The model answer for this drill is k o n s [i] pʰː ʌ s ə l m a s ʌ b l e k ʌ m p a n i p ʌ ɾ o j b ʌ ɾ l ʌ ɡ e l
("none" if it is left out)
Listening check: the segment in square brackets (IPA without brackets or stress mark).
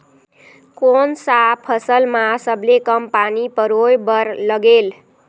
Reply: a